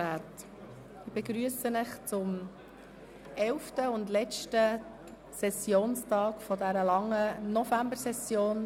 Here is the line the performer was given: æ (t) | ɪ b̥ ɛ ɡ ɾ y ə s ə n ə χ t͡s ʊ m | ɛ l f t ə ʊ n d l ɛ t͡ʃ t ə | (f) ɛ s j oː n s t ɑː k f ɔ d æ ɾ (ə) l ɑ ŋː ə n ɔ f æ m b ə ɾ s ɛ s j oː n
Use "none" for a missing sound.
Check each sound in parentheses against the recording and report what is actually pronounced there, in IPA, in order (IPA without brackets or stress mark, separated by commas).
t, s, ə